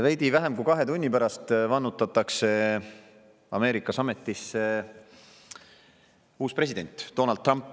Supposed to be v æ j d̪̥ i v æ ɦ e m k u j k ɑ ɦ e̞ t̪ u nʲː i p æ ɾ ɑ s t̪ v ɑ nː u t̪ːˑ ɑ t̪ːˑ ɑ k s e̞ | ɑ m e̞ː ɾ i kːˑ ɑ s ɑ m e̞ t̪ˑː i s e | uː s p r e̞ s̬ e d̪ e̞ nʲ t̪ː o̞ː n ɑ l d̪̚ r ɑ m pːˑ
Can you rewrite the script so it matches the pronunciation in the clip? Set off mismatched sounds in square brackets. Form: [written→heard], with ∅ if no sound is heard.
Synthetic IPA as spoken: v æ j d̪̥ i v æ ɦ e m k u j k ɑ ɦ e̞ t̪ u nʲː i p æ ɾ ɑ s t̪ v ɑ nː u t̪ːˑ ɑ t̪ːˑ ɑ k s e̞ | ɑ m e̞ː ɾ i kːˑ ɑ s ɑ m e̞ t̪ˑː i s e | uː s p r e̞ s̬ [e→i] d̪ e̞ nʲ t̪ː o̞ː n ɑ l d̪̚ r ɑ m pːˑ